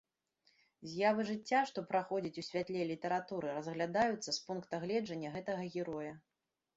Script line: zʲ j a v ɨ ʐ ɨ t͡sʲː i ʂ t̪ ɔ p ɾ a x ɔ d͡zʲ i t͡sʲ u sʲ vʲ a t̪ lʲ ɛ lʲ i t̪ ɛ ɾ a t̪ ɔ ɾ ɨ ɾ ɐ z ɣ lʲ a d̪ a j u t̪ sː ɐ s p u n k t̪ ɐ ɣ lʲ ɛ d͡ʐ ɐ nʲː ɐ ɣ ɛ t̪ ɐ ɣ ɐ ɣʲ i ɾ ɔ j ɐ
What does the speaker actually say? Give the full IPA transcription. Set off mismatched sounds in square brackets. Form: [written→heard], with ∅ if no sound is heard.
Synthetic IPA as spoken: zʲ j a v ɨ ʐ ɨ t͡sʲː [i→a] ʂ t̪ ɔ p ɾ a x ɔ d͡zʲ i t͡sʲ u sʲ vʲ a t̪ lʲ ɛ lʲ i t̪ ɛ ɾ a t̪ [ɔ→u] ɾ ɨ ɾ ɐ z ɣ lʲ a d̪ a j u t̪ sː ɐ s p u n k t̪ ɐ ɣ lʲ ɛ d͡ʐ ɐ nʲː ɐ ɣ ɛ t̪ ɐ ɣ ɐ ɣʲ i ɾ ɔ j ɐ